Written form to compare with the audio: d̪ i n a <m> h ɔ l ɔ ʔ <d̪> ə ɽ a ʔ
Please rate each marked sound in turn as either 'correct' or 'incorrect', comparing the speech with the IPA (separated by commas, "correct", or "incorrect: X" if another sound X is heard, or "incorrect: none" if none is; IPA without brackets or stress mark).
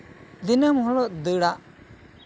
correct, correct